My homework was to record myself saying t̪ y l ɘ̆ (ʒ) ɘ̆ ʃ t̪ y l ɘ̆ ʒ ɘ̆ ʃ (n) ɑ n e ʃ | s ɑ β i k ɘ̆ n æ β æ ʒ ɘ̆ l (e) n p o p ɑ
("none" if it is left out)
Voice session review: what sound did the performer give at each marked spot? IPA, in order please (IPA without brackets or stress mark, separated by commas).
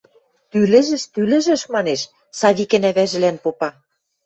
ʒ, m, æ